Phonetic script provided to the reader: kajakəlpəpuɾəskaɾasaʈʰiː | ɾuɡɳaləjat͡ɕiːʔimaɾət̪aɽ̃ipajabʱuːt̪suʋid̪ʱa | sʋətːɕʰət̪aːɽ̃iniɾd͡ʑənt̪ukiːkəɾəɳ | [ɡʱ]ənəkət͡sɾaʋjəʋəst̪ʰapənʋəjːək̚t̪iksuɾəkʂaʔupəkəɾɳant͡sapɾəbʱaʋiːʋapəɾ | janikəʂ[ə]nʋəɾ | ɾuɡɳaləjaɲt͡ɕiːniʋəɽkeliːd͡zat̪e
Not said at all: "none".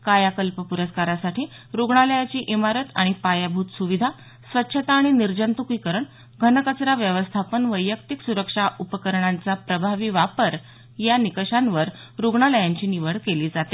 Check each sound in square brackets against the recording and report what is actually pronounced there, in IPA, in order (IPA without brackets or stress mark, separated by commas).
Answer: ɡʱ, a